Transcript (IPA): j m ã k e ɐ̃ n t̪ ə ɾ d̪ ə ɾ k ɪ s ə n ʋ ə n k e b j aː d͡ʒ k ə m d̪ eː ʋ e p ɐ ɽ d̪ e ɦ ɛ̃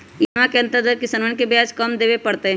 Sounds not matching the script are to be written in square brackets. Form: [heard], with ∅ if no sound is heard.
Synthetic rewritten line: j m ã k e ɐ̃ n t̪ ə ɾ d̪ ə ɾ k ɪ s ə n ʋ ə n k e b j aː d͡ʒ k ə m d̪ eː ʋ e p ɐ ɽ [t̪] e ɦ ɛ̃

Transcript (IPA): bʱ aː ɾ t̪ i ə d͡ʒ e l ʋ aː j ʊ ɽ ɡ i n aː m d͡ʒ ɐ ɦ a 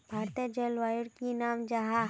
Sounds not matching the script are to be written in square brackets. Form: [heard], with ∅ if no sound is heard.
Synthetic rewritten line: bʱ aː ɾ t̪ i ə d͡ʒ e l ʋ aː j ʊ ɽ [k] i n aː m d͡ʒ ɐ ɦ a

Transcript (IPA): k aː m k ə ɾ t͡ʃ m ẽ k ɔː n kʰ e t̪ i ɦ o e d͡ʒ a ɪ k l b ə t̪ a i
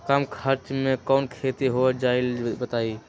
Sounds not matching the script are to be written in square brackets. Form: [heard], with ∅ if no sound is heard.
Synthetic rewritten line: k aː m [kʰ] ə ɾ t͡ʃ m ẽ k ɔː n kʰ e t̪ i ɦ o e d͡ʒ a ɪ [∅] l b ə t̪ a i

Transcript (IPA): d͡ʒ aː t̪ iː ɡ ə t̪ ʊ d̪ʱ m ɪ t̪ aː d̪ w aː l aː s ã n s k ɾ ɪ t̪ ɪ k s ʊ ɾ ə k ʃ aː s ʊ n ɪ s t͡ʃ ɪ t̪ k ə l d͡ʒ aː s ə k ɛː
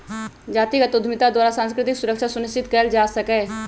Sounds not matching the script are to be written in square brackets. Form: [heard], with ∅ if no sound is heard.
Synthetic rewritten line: d͡ʒ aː t̪ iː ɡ ə t̪ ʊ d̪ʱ m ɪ t̪ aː d̪ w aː [ɾ] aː s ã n s k ɾ ɪ t̪ ɪ k s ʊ ɾ ə k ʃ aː s ʊ n ɪ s t͡ʃ ɪ t̪ k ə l d͡ʒ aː s ə k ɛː

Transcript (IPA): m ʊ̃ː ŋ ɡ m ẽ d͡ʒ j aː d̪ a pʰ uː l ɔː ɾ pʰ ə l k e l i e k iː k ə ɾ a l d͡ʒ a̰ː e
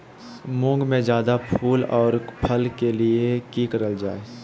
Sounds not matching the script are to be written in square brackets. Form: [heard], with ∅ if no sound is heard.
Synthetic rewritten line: m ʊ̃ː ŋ ɡ m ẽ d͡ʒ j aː d̪ a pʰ uː l ɔː ɾ pʰ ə l k e l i e k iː k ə ɾ [ə] l d͡ʒ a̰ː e

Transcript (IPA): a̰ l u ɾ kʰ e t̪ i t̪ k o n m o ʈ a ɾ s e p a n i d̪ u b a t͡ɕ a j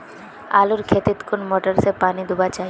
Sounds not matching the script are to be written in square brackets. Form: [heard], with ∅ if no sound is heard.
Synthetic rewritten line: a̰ l u ɾ kʰ e t̪ i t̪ k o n m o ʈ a ɾ s e p a n i d̪ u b a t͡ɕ a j

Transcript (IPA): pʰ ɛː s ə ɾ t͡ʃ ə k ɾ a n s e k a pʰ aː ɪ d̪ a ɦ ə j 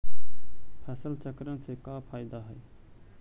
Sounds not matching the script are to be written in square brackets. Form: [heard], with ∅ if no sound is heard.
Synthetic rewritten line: pʰ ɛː s ə [l] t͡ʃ ə k ɾ [ə] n s e k a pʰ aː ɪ d̪ a ɦ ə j

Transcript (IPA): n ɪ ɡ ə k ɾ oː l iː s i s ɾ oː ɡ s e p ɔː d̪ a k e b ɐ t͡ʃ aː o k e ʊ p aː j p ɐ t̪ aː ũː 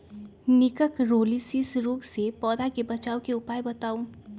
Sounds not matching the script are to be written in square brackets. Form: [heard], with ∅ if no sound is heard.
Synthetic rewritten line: n ɪ [k] ə k ɾ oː l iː s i s ɾ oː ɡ s e p ɔː d̪ a k e b ɐ t͡ʃ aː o k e ʊ p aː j [b] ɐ t̪ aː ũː

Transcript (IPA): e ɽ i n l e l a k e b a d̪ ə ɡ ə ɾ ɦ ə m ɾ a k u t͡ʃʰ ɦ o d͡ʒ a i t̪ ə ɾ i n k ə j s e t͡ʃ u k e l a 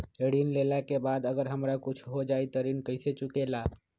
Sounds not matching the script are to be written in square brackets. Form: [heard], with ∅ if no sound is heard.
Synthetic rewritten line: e ɽ i n l e l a k e b a d̪ ə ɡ ə ɾ ɦ ə m ɾ a k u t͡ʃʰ ɦ o d͡ʒ a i t̪ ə ɾ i n k ə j s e t͡ʃ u k e l a

